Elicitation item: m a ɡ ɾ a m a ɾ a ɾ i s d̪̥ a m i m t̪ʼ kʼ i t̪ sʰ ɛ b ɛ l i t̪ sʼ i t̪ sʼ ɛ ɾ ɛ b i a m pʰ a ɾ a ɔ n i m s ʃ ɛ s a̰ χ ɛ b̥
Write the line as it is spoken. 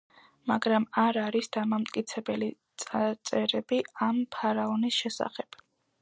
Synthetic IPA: m a ɡ ɾ a m a ɾ a ɾ i s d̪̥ a m a m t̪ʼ kʼ i t̪ sʰ ɛ b ɛ l i t̪ sʼ a t̪ sʼ ɛ ɾ ɛ b i a m pʰ a ɾ a ɔ n i s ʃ ɛ s a̰ χ ɛ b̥